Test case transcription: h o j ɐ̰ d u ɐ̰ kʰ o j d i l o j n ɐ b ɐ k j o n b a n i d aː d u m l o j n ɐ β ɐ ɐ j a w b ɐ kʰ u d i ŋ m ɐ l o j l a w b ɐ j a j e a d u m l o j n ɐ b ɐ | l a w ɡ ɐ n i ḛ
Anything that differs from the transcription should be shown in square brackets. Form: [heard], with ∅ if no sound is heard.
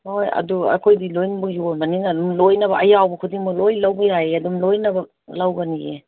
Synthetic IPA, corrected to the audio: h o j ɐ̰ d u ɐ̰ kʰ o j d i l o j n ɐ b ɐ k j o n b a n i [n] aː d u m l o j n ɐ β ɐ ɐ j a w b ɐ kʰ u d i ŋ m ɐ l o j l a w b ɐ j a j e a d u m l o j n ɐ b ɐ | l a w ɡ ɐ n i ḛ